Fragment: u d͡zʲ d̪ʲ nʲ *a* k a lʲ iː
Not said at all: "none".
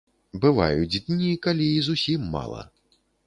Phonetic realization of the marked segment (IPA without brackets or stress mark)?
i